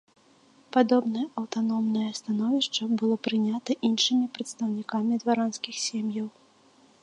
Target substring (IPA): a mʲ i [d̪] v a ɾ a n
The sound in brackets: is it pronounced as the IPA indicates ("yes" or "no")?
yes